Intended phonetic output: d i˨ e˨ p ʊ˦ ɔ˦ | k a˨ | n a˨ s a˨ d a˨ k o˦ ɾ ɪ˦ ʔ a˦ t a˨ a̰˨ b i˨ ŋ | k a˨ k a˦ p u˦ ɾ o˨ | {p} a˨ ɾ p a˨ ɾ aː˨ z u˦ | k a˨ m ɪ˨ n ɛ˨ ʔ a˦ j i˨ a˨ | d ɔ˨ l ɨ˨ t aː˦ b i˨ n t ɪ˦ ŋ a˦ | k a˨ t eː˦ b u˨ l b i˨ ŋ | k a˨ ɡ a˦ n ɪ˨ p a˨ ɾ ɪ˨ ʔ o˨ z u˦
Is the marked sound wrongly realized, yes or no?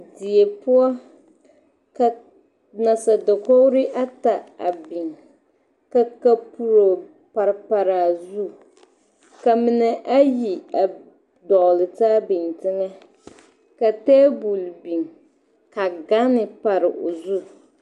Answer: no